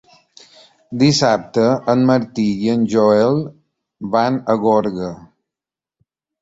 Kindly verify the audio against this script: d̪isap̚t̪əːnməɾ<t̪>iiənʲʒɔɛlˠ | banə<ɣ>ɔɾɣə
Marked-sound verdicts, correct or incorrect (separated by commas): correct, correct